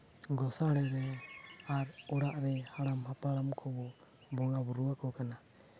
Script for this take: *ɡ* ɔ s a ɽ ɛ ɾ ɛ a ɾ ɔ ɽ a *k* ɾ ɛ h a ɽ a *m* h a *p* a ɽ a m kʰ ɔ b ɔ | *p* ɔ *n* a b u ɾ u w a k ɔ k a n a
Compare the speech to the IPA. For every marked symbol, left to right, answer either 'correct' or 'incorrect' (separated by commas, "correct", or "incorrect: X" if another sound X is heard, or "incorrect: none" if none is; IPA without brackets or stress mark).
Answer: correct, incorrect: ʔ, correct, correct, incorrect: b, incorrect: ŋ